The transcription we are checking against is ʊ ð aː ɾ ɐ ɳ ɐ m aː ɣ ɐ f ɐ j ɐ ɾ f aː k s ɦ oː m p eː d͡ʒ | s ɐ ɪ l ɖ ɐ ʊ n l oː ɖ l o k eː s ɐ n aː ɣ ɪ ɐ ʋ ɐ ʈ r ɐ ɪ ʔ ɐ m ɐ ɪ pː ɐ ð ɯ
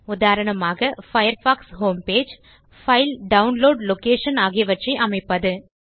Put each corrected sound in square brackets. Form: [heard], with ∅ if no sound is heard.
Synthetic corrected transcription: ʊ ð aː ɾ ɐ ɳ ɐ m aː ɣ ɐ f ɐ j ɐ ɾ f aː k s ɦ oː m p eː d͡ʒ | [f] ɐ ɪ l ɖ ɐ ʊ n l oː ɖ l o k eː [ʂ] ɐ n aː ɣ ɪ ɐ ʋ ɐ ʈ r ɐ ɪ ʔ ɐ m ɐ ɪ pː ɐ ð ɯ

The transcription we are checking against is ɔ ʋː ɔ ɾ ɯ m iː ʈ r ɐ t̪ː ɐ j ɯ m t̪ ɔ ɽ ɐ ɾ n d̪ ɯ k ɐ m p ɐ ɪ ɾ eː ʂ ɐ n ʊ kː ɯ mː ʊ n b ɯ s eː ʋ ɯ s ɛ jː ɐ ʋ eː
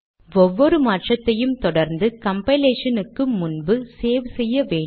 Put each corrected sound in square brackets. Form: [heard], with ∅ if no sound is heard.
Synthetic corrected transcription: ɔ ʋː ɔ ɾ ɯ m [aː] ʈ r ɐ t̪ː ɐ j ɯ m t̪ ɔ ɽ ɐ ɾ n d̪ ɯ k ɐ m p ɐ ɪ [l] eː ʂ ɐ n [ɯ] kː ɯ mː ʊ n b ɯ s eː ʋ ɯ s ɛ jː ɐ ʋ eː

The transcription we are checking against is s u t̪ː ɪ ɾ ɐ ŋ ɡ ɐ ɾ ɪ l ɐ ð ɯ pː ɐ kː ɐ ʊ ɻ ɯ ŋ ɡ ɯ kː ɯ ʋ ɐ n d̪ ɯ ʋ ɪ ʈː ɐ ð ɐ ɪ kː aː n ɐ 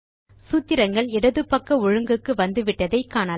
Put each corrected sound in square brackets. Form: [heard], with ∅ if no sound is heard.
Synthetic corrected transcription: s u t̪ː ɪ ɾ ɐ ŋ ɡ ɐ [ɭ] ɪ [ɽ] ɐ ð ɯ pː ɐ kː ɐ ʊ ɻ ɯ ŋ ɡ ɯ kː ɯ ʋ ɐ n d̪ ɯ ʋ ɪ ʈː ɐ ð ɐ ɪ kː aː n ɐ

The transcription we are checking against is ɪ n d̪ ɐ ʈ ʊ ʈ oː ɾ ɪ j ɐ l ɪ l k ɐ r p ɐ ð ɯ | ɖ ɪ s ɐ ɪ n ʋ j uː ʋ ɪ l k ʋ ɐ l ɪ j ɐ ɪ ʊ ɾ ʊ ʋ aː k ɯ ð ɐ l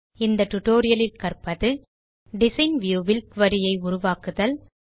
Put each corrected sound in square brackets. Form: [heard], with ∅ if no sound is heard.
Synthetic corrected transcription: ɪ n d̪ ɐ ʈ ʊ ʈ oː ɾ ɪ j ɐ l ɪ l k ɐ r p ɐ ð ɯ | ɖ ɪ s ɐ ɪ n ʋ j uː ʋ ɪ l k ʋ ɐ [ɾ] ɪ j ɐ ɪ ʊ ɾ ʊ ʋ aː k ɯ ð ɐ l

